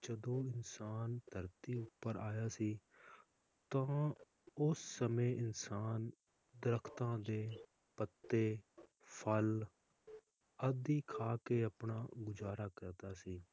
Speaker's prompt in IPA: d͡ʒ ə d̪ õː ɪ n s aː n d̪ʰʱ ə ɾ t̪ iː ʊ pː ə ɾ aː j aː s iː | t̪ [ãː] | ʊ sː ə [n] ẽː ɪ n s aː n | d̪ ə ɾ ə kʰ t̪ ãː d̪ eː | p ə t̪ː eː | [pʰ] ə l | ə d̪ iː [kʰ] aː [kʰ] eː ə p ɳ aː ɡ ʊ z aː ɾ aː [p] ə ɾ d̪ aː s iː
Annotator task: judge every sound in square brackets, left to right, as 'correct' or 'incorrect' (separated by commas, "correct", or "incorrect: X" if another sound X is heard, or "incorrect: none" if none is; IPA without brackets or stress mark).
correct, incorrect: m, correct, correct, incorrect: k, incorrect: k